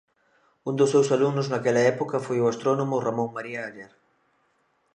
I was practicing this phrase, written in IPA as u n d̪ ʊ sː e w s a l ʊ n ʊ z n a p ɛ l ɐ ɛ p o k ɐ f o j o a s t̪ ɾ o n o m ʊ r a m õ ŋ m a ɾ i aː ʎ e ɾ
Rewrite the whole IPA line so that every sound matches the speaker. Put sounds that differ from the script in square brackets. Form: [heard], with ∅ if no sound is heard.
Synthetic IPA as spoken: u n d̪ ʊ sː e w s a l [u] n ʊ z n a [k] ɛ l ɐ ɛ p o k ɐ f o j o a s t̪ ɾ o n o m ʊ r a m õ ŋ m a ɾ i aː ʎ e ɾ